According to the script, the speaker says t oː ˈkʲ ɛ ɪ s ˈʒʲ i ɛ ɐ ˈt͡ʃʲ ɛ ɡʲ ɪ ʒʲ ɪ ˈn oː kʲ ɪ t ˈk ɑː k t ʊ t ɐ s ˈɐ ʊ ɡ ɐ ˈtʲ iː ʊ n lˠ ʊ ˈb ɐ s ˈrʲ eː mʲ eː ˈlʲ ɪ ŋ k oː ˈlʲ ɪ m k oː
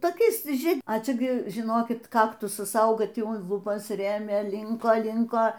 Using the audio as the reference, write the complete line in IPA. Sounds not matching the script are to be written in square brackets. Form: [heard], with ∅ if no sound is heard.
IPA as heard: t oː ˈkʲ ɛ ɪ s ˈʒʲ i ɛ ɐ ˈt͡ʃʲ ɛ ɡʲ ɪ ʒʲ ɪ ˈn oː kʲ ɪ t ˈk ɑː k t ʊ [s] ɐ s ˈɐ ʊ ɡ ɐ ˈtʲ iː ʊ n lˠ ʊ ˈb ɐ s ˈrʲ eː mʲ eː ˈlʲ ɪ ŋ k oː ˈlʲ ɪ [ŋ] k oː